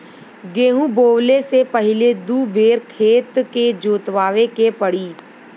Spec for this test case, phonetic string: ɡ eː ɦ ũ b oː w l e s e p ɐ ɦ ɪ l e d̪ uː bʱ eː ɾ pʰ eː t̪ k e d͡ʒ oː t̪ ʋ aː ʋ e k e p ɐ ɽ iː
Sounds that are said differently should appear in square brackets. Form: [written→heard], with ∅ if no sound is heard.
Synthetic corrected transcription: ɡ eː ɦ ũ b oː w l e s e p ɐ ɦ ɪ l e d̪ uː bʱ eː ɾ [pʰ→kʰ] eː t̪ k e d͡ʒ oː t̪ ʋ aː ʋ e k e p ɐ ɽ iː